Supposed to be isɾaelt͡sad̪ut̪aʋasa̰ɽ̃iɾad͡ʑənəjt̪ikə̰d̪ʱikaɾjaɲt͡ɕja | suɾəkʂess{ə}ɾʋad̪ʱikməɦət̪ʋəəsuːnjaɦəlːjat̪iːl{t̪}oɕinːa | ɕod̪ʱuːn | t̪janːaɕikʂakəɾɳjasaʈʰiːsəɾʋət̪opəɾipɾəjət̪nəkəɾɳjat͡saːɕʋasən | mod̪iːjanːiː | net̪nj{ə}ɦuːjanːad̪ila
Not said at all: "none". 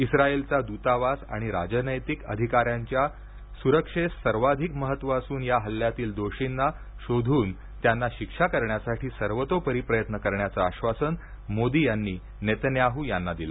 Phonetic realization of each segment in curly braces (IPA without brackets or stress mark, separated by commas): ə, d̪, a